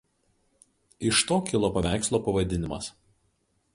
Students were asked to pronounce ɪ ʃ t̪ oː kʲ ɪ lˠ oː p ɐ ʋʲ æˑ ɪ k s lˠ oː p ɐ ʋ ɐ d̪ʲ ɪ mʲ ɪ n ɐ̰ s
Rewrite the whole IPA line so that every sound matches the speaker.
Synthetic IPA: ɪ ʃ t̪ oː kʲ ɪ lˠ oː p ɐ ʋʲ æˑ ɪ k s lˠ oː p ɐ ʋ ɐ d̪ʲ ɪ nʲ ɪ m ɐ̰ s